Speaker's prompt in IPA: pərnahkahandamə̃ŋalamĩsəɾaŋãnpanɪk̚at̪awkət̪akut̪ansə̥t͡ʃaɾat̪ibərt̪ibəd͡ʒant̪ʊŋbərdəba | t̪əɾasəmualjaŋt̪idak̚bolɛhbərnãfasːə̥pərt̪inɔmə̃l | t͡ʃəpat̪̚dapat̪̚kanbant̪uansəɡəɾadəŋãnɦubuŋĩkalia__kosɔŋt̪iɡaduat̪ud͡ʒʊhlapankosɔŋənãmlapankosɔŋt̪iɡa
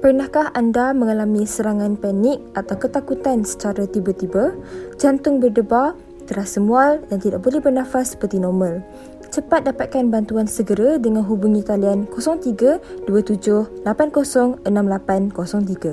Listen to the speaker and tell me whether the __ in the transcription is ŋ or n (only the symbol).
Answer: n